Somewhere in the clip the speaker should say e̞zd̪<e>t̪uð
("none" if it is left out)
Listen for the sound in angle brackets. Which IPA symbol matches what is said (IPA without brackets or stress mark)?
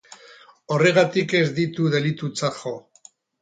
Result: i